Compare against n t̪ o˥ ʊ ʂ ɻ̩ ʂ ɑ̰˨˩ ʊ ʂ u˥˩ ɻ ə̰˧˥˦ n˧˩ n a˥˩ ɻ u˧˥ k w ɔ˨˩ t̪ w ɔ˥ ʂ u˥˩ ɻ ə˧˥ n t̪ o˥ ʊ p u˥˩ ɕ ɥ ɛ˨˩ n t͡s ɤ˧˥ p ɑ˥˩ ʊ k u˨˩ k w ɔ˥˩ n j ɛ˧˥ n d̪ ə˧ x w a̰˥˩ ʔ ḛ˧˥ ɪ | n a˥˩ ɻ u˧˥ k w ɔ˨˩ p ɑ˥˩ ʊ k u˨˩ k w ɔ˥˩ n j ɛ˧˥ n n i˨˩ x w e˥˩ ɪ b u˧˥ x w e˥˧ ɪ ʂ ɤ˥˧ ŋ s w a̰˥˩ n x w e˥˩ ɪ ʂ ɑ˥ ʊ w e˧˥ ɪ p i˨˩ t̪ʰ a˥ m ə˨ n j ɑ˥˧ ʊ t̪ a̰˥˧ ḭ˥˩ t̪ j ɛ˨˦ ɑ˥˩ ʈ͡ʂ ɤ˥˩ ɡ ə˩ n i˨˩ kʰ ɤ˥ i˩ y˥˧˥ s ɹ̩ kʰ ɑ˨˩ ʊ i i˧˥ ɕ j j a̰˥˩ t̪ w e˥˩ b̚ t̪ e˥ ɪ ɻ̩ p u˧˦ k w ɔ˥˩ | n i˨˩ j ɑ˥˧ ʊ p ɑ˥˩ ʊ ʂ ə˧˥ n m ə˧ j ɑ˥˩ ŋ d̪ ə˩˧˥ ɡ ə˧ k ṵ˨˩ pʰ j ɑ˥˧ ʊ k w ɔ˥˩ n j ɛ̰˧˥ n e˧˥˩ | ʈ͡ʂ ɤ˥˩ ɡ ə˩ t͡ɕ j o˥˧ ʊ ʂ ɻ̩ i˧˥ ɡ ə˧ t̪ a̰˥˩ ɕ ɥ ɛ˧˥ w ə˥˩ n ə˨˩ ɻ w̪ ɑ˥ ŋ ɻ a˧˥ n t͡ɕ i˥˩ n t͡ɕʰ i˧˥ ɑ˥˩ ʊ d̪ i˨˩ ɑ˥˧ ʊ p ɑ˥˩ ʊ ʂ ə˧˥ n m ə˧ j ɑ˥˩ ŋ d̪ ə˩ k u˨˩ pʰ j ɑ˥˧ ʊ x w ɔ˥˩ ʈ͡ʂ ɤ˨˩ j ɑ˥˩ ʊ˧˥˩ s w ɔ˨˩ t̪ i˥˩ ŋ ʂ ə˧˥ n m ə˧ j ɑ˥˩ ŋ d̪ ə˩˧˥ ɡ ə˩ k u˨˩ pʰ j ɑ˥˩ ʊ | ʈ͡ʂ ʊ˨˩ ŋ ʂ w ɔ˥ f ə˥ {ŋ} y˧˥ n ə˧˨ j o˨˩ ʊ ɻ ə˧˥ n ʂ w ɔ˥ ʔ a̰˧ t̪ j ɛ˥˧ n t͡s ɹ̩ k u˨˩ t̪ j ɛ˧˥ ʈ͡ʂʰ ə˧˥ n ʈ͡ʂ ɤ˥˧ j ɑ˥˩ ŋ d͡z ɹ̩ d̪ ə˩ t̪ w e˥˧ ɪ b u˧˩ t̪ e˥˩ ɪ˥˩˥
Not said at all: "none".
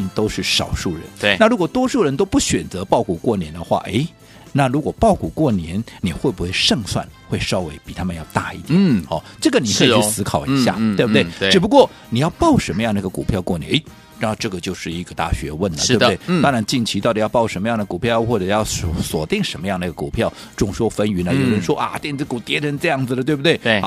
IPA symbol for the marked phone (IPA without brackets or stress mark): n